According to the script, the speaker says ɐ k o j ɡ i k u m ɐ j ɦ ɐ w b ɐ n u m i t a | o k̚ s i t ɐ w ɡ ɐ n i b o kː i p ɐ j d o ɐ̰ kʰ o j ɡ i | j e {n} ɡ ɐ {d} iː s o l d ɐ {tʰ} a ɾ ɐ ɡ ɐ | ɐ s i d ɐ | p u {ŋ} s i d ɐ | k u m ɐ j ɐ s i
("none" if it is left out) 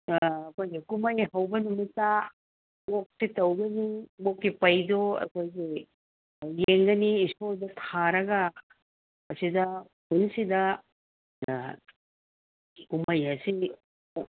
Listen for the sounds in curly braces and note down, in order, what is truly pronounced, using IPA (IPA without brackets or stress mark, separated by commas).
ŋ, n, tʰ, n